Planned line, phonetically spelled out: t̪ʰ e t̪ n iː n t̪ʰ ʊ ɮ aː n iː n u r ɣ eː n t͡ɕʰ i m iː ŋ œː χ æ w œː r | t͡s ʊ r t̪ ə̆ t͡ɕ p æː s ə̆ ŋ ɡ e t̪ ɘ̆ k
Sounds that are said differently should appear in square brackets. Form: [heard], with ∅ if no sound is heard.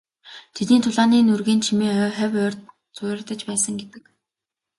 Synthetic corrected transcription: t̪ʰ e t̪ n iː n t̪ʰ ʊ ɮ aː n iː n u r ɣ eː n t͡ɕʰ i m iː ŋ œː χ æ w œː r | t͡s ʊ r t̪ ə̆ t͡ɕ p æː s ə̆ ŋ ɡ e t̪ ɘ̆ k